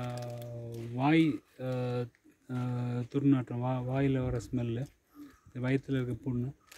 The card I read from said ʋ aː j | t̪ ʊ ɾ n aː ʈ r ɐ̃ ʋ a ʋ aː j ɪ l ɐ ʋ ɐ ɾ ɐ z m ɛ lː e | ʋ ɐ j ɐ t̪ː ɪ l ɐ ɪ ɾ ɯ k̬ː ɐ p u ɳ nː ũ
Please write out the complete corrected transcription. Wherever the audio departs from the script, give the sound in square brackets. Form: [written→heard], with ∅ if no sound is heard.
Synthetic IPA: ʋ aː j | t̪ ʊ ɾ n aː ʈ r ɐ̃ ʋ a ʋ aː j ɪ l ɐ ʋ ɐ ɾ ɐ [z→s] m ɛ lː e | ʋ ɐ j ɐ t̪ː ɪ l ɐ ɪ ɾ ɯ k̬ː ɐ p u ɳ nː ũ